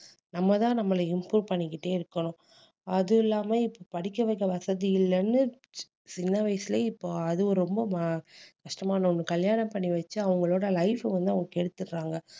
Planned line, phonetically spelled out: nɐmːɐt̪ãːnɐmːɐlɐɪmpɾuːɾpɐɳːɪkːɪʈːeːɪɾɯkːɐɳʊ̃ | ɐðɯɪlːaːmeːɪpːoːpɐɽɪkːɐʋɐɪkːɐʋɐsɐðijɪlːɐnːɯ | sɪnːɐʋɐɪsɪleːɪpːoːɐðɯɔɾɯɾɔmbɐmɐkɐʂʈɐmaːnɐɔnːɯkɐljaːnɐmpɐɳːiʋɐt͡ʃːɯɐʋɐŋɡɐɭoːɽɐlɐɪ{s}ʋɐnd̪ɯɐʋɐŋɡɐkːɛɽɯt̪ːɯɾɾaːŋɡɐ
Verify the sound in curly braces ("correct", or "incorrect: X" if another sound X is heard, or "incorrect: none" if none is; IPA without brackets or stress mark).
incorrect: f